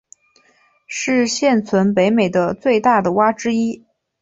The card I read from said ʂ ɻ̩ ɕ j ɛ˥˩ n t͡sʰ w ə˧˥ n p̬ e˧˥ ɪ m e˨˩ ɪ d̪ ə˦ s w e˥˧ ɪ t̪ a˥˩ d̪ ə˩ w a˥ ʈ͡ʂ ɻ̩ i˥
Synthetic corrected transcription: ʂ ɻ̩ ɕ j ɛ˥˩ n t͡sʰ w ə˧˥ n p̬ e˧˥ ɪ m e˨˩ ɪ d̪ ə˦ t͡s w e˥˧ ɪ t̪ a˥˩ d̪ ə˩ w a˥ ʈ͡ʂ ɻ̩ i˥